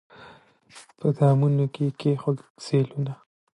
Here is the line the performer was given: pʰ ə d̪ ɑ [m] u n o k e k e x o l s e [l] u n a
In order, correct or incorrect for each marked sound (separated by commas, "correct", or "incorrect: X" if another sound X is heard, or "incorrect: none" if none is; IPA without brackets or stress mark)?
correct, correct